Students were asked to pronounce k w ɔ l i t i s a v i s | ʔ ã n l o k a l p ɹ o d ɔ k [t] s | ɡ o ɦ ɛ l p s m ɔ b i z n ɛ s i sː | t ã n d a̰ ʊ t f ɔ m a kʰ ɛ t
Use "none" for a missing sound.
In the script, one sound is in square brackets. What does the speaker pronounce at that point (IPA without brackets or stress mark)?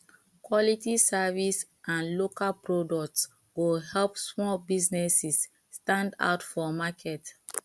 t